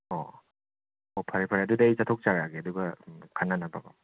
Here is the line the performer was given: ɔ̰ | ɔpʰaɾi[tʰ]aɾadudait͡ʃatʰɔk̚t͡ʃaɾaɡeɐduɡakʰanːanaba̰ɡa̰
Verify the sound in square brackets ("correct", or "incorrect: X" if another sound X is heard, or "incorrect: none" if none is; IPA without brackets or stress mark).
incorrect: pʰ